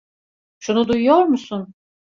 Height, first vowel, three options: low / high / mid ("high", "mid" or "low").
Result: high